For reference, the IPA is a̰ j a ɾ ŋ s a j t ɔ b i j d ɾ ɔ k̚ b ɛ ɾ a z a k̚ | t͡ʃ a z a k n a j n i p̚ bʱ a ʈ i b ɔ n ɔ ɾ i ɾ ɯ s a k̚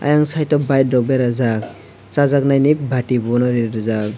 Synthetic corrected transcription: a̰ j a ŋ s a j t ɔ b a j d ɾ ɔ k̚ b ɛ ɾ a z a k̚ | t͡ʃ a z a k n a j n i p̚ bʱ a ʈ i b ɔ n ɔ ɾ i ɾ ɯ z a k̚